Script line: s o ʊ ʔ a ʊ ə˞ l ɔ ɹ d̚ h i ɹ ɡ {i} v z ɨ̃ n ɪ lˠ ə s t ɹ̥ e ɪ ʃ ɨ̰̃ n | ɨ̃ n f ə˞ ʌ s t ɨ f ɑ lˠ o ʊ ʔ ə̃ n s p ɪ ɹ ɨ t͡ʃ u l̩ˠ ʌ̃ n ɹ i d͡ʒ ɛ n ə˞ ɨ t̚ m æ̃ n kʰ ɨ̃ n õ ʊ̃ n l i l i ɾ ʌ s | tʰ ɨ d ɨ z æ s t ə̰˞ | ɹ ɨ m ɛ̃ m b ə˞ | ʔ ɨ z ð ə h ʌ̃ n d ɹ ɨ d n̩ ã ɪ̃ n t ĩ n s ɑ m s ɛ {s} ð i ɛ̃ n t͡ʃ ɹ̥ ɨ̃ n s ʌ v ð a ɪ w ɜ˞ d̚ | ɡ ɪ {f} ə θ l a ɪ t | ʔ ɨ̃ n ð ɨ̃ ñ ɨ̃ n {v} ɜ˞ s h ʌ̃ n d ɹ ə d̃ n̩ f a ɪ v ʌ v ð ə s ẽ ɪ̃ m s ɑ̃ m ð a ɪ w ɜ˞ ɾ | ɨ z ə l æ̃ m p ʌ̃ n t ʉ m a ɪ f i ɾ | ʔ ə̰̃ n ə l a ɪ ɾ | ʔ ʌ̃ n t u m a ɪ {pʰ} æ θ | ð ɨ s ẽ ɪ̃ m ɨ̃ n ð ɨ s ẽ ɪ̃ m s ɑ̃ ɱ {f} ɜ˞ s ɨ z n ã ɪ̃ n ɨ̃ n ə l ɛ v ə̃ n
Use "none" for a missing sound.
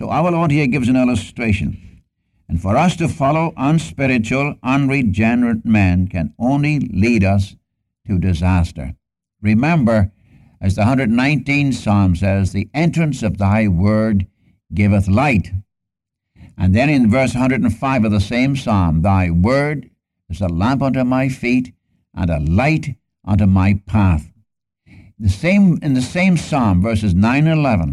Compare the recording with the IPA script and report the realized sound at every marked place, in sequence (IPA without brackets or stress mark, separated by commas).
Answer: ɪ, z, v, v, pʰ, v